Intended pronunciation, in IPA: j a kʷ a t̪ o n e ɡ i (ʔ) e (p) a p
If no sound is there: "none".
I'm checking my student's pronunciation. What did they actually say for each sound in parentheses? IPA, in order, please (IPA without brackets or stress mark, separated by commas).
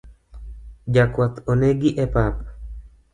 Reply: ʔ, p